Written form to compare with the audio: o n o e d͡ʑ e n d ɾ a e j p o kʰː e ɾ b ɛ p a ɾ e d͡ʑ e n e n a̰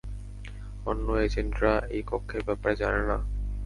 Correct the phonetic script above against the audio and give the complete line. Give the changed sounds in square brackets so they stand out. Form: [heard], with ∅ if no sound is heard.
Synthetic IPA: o [nː] o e d͡ʑ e n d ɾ a e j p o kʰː e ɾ b ɛ p a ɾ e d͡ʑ [a] n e n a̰

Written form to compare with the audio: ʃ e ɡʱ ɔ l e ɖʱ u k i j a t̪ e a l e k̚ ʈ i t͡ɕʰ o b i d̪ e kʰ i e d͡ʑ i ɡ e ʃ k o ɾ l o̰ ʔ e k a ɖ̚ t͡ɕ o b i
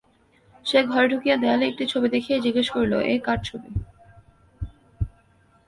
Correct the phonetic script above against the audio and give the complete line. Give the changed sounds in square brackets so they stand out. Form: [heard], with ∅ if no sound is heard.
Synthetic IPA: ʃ e ɡʱ ɔ [ɾ] e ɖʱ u k i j a [d̪] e a l e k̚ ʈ i t͡ɕʰ o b i d̪ e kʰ i e d͡ʑ i ɡ e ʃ k o ɾ l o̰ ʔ e k a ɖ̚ [t͡ɕʰ] o b i

